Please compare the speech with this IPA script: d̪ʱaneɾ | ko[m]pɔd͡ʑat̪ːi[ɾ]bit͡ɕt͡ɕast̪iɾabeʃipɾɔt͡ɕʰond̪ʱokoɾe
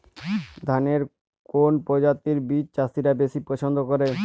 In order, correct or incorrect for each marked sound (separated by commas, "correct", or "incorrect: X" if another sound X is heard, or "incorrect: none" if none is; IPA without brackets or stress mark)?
incorrect: n, correct